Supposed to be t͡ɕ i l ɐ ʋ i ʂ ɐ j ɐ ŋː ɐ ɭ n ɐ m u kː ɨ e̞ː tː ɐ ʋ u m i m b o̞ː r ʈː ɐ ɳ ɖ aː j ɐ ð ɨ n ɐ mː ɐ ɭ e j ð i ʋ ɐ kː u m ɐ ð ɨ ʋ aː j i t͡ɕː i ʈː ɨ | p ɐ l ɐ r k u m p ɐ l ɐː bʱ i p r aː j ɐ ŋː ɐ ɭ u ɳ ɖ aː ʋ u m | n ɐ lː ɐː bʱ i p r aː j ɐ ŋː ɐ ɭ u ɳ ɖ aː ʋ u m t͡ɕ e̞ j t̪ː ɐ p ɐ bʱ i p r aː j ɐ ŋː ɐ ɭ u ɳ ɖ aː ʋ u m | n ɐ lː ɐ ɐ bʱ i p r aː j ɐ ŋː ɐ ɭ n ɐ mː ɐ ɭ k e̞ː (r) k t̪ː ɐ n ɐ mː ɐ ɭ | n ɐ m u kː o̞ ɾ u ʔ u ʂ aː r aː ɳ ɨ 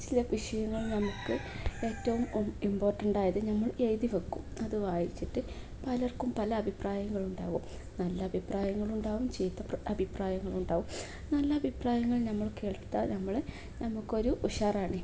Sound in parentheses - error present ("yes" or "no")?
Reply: yes